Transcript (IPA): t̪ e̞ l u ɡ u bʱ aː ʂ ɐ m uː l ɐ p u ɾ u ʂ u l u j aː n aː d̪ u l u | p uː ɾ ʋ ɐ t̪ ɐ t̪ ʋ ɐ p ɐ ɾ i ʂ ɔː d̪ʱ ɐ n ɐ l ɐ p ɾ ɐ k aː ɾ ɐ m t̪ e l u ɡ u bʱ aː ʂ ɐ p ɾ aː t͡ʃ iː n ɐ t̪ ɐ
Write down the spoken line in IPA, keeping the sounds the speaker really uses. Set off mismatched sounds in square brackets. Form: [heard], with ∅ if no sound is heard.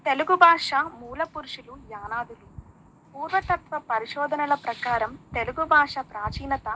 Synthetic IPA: t̪ e̞ l u ɡ u bʱ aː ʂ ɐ m uː l ɐ p u ɾ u ʂ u l u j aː n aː d̪ u l u | p uː ɾ ʋ ɐ t̪ ɐ t̪ ʋ ɐ p ɐ ɾ i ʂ ɔː d̪ʱ ɐ n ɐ l ɐ p ɾ ɐ k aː ɾ ɐ m t̪ e l u ɡ u bʱ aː ʂ ɐ p ɾ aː t͡ʃ iː n ɐ t̪ ɐ